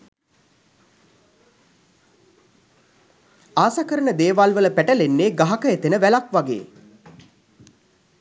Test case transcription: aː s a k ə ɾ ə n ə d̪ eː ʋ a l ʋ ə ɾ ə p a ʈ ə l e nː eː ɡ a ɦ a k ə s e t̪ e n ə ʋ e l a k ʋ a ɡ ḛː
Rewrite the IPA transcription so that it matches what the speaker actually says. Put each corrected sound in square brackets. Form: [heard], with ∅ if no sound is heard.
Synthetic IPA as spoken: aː s a k ə ɾ ə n ə d̪ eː ʋ a l ʋ ə [l] ə p [æ] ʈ ə l e nː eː ɡ a ɦ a k ə [∅] e t̪ e n ə ʋ [æ] l a k ʋ a ɡ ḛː